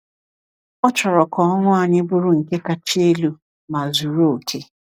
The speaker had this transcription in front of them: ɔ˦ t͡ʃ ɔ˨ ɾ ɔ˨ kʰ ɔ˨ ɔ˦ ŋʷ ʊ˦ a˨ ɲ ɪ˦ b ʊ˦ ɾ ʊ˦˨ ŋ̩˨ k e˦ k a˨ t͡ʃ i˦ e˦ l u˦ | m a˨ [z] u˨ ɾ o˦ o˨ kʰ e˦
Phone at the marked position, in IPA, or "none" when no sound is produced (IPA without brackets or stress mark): z